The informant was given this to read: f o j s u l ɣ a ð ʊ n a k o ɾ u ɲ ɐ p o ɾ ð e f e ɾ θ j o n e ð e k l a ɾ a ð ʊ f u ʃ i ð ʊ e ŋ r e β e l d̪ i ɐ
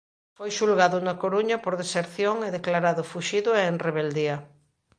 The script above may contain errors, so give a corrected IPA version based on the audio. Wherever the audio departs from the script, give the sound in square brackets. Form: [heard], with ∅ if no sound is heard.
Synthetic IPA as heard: f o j [ʃ] u l ɣ a ð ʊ n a k o ɾ u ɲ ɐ p o ɾ ð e [s] e ɾ θ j o [ŋ] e ð e k l a ɾ a ð ʊ f u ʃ i ð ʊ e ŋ r e β e l d̪ i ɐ